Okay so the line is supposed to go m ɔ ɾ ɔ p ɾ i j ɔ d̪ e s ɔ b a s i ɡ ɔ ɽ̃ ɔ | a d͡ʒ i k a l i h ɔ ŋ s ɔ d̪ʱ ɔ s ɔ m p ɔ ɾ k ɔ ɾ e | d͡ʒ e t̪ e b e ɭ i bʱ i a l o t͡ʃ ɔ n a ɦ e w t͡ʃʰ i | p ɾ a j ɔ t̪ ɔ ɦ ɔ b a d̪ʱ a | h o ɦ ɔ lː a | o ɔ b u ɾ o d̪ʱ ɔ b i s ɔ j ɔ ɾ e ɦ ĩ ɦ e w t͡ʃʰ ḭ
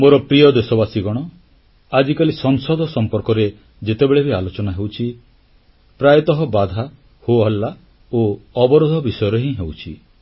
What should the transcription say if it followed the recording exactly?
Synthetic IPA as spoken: m o ɾ ɔ p ɾ i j ɔ d̪ e s ɔ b a s i ɡ ɔ ɽ̃ ɔ | a d͡ʒ i k a l i s ɔ ŋ s ɔ d̪ʱ ɔ s ɔ m p ɔ ɾ k ɔ ɾ e | d͡ʒ e t̪ e b e ɭ e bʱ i a l o t͡ʃ ɔ n a ɦ e w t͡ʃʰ i | p ɾ a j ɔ t̪ ɔ ɦ ɔ b a d̪ʱ a | h o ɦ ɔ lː a | o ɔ b ɔ ɾ o d̪ʱ ɔ b i s ɔ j ɔ ɾ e ɦ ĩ ɦ e w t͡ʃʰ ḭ